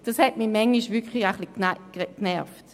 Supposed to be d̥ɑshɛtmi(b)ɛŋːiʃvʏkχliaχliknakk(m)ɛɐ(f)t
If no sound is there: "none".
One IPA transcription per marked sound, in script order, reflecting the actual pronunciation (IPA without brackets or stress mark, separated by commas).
m, n, f